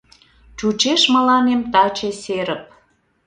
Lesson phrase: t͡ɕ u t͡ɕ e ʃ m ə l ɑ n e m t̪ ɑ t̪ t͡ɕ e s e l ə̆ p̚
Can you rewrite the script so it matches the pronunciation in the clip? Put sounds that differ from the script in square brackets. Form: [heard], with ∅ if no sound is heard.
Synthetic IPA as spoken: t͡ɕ u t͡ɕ e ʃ m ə l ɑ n e m t̪ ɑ [∅] t͡ɕ e s e [ɾ] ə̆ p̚